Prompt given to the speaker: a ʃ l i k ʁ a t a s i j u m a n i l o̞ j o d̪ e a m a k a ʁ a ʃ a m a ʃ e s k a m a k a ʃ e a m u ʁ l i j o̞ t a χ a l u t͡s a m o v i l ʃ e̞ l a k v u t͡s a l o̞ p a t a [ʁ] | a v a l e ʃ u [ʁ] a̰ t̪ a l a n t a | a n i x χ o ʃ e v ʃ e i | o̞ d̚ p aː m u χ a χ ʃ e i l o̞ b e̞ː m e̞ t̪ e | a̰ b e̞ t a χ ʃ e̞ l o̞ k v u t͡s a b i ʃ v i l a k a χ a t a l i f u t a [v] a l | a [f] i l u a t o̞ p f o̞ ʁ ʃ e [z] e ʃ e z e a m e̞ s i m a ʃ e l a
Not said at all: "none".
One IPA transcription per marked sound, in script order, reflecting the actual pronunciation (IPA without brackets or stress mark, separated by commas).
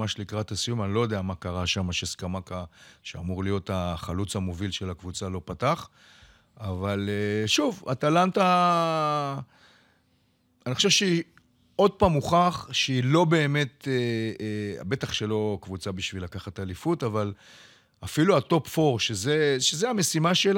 χ, v, v, f, z